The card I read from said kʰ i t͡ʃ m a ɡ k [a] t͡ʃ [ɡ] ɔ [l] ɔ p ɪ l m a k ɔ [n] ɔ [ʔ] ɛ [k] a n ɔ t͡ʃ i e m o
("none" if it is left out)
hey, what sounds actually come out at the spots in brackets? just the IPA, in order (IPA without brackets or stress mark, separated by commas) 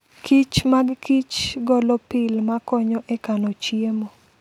i, ɡ, l, ɲ, ʔ, k